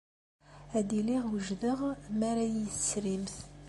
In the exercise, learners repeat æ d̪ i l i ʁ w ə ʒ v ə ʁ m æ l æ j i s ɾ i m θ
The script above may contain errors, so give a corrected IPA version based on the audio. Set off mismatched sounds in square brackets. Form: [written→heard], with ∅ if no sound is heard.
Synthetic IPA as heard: æ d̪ i l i ʁ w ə ʒ [v→ð] ə ʁ m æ [l→ɾ] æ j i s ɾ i m θ

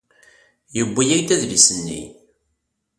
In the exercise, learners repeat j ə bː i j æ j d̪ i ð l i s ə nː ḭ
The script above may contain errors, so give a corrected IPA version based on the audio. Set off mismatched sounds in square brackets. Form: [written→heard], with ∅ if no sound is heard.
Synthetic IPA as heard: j ə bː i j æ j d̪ [i→æ] ð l i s ə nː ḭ

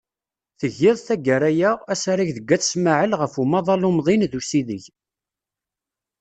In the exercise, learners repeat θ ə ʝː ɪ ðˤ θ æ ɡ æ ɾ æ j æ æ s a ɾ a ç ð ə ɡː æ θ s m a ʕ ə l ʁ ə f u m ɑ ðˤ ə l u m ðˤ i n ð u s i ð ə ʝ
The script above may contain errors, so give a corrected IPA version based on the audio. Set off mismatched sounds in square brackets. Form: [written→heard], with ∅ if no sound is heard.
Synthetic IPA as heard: θ ə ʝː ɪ ðˤ θ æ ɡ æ ɾ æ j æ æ s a ɾ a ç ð ə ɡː æ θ s m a ʕ ə l ʁ ə f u m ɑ ðˤ [ə→ɑ] l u m ðˤ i n ð u s i ð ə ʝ

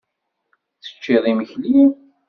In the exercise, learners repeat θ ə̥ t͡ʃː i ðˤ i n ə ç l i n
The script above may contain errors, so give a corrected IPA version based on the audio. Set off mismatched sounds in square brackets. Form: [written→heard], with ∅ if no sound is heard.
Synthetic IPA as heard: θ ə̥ t͡ʃː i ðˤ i [n→m] ə ç l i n

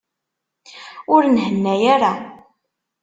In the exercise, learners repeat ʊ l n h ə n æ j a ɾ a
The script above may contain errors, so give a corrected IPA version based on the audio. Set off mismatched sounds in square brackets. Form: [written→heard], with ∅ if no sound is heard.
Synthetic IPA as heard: ʊ [l→ɾ] n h ə [n→nː] æ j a ɾ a

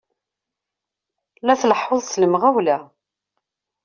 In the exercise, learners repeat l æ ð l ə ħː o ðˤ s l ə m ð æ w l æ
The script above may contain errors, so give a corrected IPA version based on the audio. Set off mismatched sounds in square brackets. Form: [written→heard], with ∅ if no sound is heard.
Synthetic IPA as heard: l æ [ð→θ] l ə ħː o ðˤ s l ə m [ð→ʁ] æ w l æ

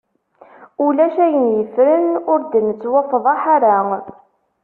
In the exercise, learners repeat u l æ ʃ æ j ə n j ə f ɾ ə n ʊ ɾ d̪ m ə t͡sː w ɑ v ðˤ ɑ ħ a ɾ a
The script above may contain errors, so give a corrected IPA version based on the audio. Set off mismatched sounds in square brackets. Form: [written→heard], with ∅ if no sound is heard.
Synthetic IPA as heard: u l æ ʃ æ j ə n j ə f ɾ ə n ʊ ɾ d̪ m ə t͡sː w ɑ [v→f] ðˤ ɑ ħ a ɾ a

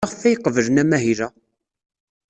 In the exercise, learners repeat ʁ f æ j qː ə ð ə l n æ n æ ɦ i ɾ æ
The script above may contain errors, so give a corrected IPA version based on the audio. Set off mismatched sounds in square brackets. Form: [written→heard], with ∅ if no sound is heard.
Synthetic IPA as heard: ʁ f æ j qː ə [ð→v] ə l n æ [n→m] æ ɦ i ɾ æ

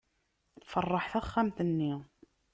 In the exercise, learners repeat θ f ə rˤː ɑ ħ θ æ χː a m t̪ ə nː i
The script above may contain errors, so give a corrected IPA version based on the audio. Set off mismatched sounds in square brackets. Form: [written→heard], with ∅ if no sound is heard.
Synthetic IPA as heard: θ f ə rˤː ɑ ħ θ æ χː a m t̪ ə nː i

